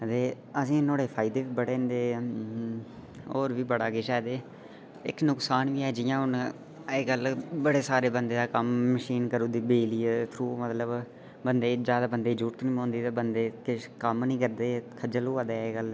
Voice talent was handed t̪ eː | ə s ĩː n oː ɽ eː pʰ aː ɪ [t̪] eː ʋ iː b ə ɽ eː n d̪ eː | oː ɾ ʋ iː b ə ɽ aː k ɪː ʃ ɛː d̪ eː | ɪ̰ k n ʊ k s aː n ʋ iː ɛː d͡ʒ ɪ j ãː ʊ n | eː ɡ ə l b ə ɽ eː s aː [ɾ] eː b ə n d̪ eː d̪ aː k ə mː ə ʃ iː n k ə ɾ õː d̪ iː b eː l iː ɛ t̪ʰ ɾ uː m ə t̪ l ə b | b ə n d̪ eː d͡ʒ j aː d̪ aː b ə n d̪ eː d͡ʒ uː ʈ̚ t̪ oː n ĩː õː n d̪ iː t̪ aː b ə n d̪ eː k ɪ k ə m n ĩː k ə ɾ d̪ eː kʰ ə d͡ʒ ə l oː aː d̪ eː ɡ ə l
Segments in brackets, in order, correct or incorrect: incorrect: d̪, correct

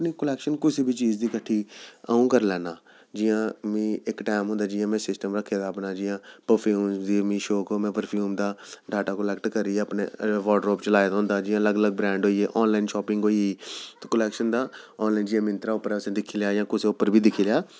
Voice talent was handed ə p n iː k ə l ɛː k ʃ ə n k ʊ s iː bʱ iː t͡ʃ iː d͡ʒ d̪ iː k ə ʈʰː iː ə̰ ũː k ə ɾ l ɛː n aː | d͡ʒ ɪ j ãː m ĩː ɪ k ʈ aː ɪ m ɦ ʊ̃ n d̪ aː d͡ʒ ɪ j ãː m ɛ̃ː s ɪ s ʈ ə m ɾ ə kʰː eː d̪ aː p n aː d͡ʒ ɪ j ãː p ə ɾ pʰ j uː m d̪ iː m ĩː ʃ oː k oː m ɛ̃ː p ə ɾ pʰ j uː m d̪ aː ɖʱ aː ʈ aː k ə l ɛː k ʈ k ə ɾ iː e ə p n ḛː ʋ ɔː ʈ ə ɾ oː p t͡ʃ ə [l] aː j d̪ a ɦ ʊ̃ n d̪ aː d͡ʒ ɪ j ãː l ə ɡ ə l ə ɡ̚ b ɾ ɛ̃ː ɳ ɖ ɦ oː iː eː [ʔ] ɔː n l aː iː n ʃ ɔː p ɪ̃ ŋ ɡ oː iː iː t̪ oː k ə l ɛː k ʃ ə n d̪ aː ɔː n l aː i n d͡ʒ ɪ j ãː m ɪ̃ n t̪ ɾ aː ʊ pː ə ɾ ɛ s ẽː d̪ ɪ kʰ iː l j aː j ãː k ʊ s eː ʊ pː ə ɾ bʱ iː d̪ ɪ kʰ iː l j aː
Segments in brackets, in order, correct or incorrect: correct, correct

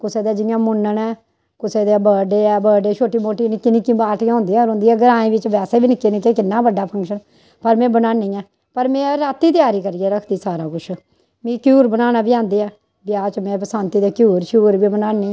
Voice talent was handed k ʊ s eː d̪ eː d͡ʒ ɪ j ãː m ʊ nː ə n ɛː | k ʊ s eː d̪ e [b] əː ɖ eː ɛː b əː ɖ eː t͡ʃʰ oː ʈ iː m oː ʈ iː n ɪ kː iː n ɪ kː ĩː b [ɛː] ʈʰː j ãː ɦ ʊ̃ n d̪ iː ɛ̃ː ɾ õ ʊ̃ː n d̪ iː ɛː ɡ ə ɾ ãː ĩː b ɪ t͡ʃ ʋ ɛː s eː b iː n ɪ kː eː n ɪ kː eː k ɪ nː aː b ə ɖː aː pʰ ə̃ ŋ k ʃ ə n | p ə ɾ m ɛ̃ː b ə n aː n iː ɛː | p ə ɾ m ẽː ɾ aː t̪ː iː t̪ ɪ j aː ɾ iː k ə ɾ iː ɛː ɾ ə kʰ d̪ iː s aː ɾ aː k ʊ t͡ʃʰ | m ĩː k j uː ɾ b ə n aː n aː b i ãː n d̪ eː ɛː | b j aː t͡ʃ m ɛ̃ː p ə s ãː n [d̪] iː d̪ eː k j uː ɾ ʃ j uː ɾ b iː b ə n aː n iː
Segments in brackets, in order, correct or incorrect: correct, incorrect: aː, incorrect: t̪

